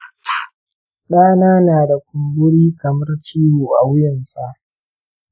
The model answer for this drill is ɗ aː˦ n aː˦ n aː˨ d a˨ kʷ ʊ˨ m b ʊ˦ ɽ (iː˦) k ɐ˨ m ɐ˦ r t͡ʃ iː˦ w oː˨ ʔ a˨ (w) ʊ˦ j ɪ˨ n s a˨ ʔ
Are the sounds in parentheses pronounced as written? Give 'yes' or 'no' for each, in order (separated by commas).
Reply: yes, yes